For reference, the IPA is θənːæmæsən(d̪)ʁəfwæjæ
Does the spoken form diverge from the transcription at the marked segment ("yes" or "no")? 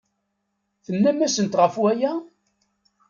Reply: yes